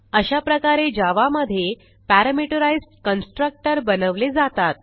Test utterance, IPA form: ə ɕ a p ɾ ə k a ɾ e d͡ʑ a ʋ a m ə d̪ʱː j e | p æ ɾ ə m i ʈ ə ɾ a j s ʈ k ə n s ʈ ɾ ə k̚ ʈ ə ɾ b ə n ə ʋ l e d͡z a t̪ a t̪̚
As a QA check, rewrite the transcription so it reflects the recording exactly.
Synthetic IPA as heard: ə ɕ a p ɾ ə k a ɾ e d͡ʑ a ʋ a m ə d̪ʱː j e | p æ ɾ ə m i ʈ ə ɾ a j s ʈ k ə n s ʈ ɾ ə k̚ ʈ ə ɾ b ə n ə ʋ l e d͡z a t̪ a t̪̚

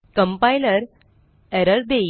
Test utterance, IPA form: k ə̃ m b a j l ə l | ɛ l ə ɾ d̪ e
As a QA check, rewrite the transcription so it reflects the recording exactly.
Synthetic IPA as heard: k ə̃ m p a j l ə ɾ | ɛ ɾ ə ɾ d̪ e

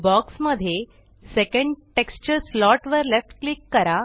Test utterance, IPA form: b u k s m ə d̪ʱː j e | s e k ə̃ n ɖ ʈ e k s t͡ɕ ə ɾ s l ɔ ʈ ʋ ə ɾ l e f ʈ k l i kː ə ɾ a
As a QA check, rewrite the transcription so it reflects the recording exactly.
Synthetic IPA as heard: b ɔ k s m ə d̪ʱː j e | s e k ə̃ ɳ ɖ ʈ e k s t͡ɕ ə ɾ s l ɔ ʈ ʋ ə ɾ l e f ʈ k l i kː ə ɾ a

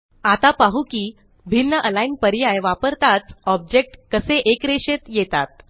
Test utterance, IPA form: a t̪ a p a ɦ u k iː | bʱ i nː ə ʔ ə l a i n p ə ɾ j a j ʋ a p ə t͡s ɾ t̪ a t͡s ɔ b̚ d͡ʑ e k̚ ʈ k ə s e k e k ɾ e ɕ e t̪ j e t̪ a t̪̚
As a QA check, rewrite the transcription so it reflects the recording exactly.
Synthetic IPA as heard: a t̪ a p a ɦ u k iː | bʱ i nː ə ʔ ə l a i n p ə ɾ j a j ʋ a p ə ɾ t̪ a t͡s ɔ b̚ d͡ʑ e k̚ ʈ k ə s e ʔ e k ɾ e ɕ e t̪ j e t̪ a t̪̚

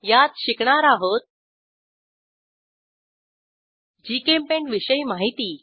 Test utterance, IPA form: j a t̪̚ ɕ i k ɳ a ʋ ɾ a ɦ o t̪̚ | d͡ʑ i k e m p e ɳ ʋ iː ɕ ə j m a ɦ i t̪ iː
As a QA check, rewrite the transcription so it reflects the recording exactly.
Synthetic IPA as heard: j a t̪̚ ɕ i k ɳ a ɾ a ɦ o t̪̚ | d͡ʑ i k e m p e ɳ ʋ i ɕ ə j m a ɦ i t̪ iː

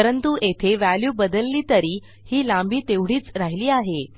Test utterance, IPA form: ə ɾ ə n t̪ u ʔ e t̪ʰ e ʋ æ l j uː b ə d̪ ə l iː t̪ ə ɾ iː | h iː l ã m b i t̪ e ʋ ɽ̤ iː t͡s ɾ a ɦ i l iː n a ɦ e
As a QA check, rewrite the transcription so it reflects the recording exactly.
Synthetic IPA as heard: ə ɾ ə n t̪ u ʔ e t̪ʰ e ʋ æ l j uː b ə d̪ ə lː iː t̪ ə ɾ iː | h iː l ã m b iː t̪ e ʋ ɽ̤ iː t͡s ɾ a ɦ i l iː a ɦ e

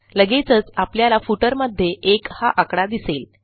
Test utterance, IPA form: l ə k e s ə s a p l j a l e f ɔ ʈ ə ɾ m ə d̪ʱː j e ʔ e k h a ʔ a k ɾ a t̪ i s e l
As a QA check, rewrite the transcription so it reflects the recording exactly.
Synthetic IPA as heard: l ə ɡ e t͡s ə t͡s a p l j a l a f u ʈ ə ɾ m ə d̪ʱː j e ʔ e k h a ʔ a k ɽ a d̪ i s e l

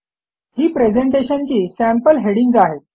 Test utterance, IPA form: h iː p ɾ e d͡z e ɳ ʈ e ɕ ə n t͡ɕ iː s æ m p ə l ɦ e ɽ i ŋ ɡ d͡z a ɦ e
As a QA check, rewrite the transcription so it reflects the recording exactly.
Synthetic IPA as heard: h iː p ɾ e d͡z e ɳ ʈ e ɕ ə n t͡ɕ iː s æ m p ə l ɦ e ɽ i ŋ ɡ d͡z a ɦ e

